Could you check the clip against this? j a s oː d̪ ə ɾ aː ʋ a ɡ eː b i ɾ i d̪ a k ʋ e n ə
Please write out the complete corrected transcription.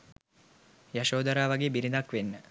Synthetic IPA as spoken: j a ʃ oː d̪ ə ɾ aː ʋ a ɡ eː b i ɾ i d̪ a k ʋ e nː ə